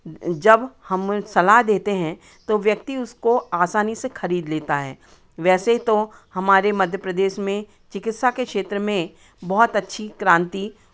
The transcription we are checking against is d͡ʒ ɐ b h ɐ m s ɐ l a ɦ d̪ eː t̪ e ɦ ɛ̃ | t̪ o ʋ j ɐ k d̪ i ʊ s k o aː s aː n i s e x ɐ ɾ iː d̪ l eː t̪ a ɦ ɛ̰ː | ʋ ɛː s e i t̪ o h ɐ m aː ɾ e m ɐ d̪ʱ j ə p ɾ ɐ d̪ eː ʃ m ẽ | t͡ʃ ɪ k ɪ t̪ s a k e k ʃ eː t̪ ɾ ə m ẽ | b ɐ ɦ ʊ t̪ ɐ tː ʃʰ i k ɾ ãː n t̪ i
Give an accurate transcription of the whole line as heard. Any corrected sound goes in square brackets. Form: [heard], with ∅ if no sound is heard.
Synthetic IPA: d͡ʒ ɐ b h ɐ m s ɐ l a ɦ d̪ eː t̪ e ɦ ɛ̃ | t̪ o ʋ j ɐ k [t̪] i ʊ s k o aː s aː n i s e x ɐ ɾ iː d̪ l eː t̪ a ɦ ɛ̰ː | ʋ ɛː s e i t̪ o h ɐ m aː ɾ e m ɐ d̪ʱ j ə p ɾ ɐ d̪ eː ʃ m ẽ | t͡ʃ ɪ k ɪ t̪ s a k e k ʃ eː t̪ ɾ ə m ẽ | b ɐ ɦ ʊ t̪ ɐ tː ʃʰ i k ɾ ãː n t̪ i